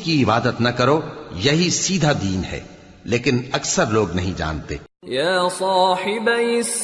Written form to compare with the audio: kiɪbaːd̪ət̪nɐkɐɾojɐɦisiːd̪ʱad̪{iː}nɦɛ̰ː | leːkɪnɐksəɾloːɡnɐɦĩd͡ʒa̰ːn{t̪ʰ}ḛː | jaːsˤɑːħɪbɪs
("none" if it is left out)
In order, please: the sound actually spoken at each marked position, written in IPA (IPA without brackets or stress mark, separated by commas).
iː, t̪